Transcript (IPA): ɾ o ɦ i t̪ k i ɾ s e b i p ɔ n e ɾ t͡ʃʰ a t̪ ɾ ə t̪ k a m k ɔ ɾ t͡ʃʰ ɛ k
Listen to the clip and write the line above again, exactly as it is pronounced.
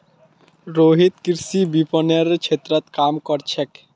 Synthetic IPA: ɾ o ɦ i t̪ k i ɾ s i b i p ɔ n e ɾ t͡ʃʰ e t̪ ɾ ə t̪ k a m k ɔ ɾ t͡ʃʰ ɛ k